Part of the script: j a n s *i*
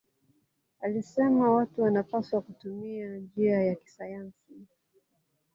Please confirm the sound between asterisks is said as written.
yes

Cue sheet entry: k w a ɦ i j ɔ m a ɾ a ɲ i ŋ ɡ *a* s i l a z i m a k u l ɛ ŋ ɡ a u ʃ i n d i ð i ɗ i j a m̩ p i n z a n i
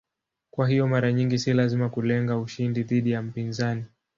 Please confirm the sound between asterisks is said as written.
no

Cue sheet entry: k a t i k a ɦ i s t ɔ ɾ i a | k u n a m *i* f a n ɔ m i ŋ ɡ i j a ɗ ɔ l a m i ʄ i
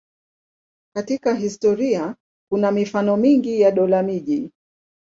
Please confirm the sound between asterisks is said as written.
yes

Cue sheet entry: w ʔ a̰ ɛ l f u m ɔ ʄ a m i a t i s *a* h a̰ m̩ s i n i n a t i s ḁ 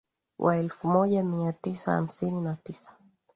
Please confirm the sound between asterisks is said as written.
yes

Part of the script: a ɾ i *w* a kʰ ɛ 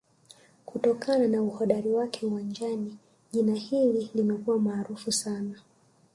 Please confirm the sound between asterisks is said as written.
yes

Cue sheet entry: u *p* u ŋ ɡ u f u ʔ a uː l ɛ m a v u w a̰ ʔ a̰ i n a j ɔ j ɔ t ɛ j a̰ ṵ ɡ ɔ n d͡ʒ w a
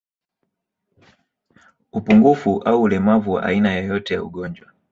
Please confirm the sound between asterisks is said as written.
yes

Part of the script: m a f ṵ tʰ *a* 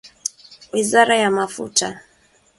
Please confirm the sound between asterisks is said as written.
yes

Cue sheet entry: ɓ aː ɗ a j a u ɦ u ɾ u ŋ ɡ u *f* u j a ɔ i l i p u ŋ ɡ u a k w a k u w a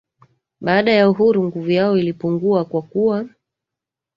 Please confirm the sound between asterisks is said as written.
no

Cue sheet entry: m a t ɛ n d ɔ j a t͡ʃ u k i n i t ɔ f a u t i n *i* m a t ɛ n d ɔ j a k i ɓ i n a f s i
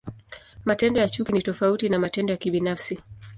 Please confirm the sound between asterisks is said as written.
no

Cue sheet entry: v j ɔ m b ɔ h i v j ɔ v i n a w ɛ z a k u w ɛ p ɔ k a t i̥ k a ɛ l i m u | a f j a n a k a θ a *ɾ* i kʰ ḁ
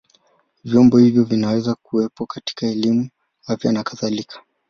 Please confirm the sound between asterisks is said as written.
no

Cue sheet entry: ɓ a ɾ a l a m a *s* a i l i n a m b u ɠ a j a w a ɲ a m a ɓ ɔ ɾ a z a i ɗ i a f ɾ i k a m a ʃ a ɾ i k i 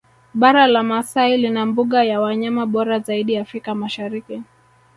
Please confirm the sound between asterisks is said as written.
yes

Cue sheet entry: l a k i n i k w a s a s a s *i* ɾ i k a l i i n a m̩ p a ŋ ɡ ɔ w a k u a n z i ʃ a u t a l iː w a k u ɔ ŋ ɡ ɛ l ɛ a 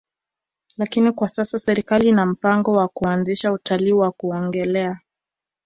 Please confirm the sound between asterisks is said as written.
no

